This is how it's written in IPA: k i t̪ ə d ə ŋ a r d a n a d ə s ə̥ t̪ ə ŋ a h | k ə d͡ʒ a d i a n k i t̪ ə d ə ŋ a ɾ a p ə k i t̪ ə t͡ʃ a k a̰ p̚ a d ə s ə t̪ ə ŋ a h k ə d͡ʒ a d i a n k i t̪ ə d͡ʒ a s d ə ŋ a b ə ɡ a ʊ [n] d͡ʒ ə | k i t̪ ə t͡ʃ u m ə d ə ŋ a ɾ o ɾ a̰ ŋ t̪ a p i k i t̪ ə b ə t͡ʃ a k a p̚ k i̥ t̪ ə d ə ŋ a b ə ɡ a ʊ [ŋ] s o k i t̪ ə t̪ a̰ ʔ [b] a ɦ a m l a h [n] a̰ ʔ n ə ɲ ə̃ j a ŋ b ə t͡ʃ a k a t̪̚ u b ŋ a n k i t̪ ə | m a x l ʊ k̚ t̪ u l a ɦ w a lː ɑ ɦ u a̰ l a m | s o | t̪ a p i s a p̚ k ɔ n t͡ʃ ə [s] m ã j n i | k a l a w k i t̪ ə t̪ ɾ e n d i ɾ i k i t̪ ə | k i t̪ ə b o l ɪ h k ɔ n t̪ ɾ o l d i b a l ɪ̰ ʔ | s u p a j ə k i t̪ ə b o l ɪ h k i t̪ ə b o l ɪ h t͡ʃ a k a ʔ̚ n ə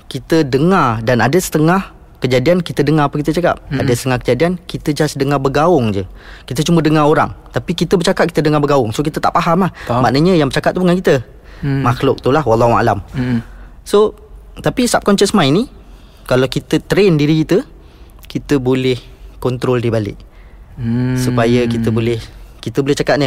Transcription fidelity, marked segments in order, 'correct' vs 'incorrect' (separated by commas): incorrect, correct, incorrect, incorrect, correct